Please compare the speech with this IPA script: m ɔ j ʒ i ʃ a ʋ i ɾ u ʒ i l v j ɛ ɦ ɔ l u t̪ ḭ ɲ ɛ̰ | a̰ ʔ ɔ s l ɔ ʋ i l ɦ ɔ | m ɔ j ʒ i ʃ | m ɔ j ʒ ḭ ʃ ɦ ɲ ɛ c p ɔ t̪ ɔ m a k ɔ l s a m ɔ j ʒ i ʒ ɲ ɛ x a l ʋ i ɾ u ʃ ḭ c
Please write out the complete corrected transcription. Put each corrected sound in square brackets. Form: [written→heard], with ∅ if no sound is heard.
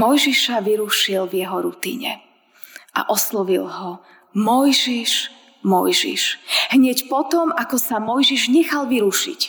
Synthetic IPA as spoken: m ɔ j ʒ i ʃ a ʋ i ɾ u [ʒ→ʃ] i l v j ɛ ɦ ɔ [l→ɾ] u t̪ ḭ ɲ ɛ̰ | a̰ ʔ ɔ s l ɔ ʋ i l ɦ ɔ | m ɔ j ʒ i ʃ | m ɔ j ʒ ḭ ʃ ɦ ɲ ɛ c p ɔ t̪ ɔ m a k ɔ [l→∅] s a m ɔ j ʒ i ʒ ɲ ɛ x a l ʋ i ɾ u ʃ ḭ c